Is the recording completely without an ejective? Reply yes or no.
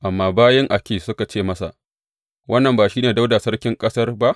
no